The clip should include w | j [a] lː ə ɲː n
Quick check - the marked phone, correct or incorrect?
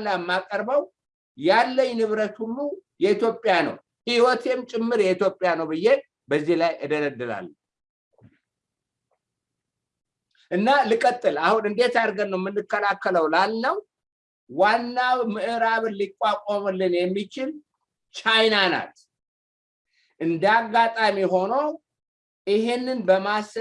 correct